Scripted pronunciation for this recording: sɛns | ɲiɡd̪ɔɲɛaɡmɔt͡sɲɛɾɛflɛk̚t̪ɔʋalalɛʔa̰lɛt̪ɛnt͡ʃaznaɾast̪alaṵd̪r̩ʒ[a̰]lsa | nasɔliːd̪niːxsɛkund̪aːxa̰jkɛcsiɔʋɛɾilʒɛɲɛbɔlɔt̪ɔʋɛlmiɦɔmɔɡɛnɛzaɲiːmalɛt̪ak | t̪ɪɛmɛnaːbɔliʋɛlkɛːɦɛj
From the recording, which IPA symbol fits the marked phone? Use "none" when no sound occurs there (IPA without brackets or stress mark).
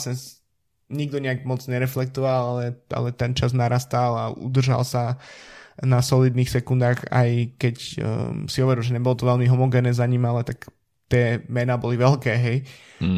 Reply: a̰